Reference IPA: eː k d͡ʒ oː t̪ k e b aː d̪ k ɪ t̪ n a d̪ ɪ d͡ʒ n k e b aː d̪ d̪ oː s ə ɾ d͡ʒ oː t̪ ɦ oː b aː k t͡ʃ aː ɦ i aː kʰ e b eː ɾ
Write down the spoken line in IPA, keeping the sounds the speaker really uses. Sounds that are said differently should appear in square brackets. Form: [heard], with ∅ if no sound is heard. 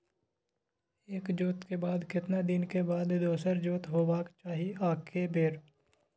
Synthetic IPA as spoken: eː k d͡ʒ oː t̪ k e b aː d̪ k ɪ t̪ n a d̪ ɪ [∅] n k e b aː d̪ d̪ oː s ə ɾ d͡ʒ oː t̪ ɦ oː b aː k t͡ʃ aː ɦ i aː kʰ e b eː ɾ